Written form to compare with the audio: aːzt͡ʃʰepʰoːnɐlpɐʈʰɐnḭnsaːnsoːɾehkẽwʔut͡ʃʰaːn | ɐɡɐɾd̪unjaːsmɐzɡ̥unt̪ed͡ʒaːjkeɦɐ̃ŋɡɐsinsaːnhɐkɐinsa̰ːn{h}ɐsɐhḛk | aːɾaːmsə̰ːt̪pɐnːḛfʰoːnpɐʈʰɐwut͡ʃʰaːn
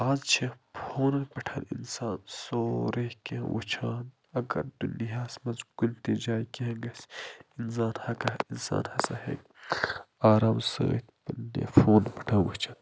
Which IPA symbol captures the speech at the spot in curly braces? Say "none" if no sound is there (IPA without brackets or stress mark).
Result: h